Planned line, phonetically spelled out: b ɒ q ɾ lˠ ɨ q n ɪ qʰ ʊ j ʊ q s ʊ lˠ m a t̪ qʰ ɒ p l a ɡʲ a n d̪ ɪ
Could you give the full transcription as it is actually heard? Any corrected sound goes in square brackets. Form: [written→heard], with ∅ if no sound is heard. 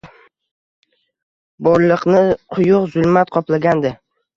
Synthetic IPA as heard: b ɒ [q→∅] ɾ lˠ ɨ q n ɪ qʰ ʊ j ʊ q [s→z] ʊ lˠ m a t̪ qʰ ɒ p l a ɡʲ a n d̪ ɪ